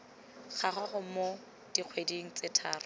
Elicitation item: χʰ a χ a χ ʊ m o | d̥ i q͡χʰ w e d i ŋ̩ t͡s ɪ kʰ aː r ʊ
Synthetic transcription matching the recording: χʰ a χ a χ ʊ m o | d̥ i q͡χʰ w e d i ŋ̩ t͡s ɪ tʰ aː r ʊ